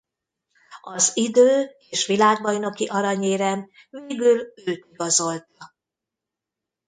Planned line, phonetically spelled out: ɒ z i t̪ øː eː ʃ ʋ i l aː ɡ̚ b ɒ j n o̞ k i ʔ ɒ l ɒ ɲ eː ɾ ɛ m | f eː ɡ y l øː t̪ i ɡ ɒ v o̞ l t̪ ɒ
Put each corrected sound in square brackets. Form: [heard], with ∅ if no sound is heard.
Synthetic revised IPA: ɒ z i [d̪] øː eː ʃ ʋ i l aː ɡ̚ b ɒ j n o̞ k i ʔ ɒ [ɾ] ɒ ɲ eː ɾ ɛ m | [v] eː ɡ y l øː t̪ i ɡ ɒ [z] o̞ l t̪ ɒ

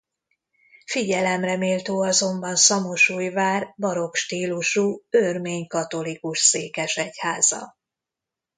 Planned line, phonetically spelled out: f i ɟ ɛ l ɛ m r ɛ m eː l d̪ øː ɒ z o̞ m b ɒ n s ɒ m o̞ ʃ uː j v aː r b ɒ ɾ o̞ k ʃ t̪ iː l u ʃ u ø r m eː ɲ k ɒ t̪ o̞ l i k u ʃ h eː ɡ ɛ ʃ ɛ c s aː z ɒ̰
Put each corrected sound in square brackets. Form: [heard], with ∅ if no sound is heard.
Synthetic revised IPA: f i ɟ ɛ l ɛ m r ɛ m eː l [t̪] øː ɒ z o̞ m b ɒ n s ɒ m o̞ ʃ uː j v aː r b ɒ ɾ o̞ k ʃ t̪ iː l u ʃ u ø r m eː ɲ k ɒ t̪ o̞ l i k u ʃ [s] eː [k] ɛ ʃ ɛ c [h] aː z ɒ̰

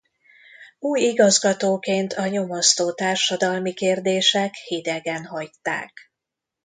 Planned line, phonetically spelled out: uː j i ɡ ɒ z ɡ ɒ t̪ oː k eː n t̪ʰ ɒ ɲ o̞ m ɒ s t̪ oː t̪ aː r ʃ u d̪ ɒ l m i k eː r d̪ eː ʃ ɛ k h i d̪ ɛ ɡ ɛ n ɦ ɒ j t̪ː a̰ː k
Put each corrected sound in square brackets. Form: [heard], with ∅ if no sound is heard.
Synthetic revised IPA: uː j i ɡ ɒ z ɡ ɒ t̪ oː k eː n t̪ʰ ɒ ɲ o̞ m [o] s t̪ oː t̪ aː r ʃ [ɒ] d̪ ɒ l m i k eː r d̪ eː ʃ ɛ k h i d̪ ɛ ɡ ɛ n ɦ ɒ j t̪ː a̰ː k

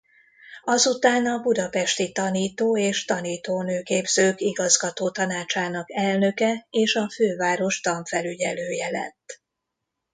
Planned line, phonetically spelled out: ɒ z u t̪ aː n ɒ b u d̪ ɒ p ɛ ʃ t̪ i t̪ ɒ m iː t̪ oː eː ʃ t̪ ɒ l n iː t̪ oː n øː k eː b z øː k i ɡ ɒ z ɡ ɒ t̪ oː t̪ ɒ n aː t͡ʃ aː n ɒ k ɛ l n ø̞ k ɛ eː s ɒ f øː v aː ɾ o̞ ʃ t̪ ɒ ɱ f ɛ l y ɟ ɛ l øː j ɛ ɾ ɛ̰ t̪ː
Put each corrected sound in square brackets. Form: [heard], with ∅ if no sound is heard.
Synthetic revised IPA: ɒ z u t̪ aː n ɒ b u d̪ ɒ p ɛ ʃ t̪ i t̪ ɒ [n] iː t̪ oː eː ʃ t̪ ɒ [∅] n iː t̪ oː n øː k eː b z øː k i ɡ ɒ z ɡ ɒ t̪ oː t̪ ɒ n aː t͡ʃ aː n ɒ k ɛ l n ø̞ k ɛ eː [ʃ] ɒ f øː v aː ɾ o̞ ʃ t̪ ɒ ɱ f ɛ l y ɟ ɛ l øː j ɛ [l] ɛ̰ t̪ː

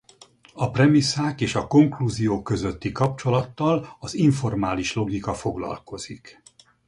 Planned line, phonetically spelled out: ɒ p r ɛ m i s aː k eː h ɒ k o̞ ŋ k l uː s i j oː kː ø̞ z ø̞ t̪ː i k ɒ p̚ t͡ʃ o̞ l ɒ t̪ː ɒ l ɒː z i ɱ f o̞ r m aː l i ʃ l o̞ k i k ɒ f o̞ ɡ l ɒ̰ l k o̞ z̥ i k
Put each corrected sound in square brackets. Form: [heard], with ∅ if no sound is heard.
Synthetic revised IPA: ɒ p r ɛ m i s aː k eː [ʃ] ɒ k o̞ ŋ k l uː [z] i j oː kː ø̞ z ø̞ t̪ː i k ɒ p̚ t͡ʃ o̞ l ɒ t̪ː ɒ l [ɒ] z i ɱ f o̞ r m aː l i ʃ l o̞ [ɡ] i k ɒ f o̞ ɡ l ɒ̰ l k o̞ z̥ i k

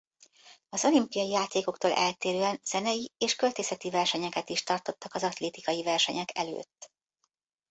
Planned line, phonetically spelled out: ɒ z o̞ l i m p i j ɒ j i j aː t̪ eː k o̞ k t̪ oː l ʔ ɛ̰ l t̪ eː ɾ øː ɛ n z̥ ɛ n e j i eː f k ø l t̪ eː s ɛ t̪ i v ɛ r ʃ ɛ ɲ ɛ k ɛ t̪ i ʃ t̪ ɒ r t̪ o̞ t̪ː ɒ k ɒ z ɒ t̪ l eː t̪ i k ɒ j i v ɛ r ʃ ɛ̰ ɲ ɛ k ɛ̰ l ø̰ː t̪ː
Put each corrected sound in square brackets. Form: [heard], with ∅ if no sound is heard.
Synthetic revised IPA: ɒ z o̞ l i m p i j ɒ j i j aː t̪ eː k o̞ k t̪ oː l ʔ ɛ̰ l t̪ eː ɾ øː ɛ n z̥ ɛ n [ɛ] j i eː [ʃ] k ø l t̪ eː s ɛ t̪ i v ɛ r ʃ ɛ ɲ ɛ k ɛ t̪ i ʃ t̪ ɒ r t̪ o̞ t̪ː ɒ k ɒ z ɒ t̪ l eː t̪ i k ɒ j i v ɛ r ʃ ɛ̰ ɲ ɛ k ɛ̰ l ø̰ː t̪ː

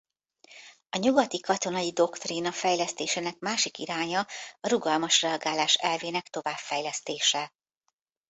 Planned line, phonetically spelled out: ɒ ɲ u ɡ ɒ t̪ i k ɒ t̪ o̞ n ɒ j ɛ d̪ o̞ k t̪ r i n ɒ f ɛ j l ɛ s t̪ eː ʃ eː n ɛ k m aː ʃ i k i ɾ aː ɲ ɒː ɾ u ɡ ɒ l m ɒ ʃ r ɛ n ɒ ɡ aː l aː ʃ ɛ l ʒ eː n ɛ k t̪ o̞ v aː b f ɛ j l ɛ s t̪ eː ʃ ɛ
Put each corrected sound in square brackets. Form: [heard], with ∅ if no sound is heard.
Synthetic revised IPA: ɒ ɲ u ɡ ɒ t̪ i k ɒ t̪ o̞ n ɒ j [i] d̪ o̞ k t̪ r i n ɒ f ɛ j l ɛ s t̪ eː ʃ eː n ɛ k m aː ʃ i k i ɾ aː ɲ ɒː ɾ u ɡ ɒ l m ɒ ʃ r ɛ [∅] ɒ ɡ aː l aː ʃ ɛ l [v] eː n ɛ k t̪ o̞ v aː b f ɛ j l ɛ s t̪ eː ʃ ɛ

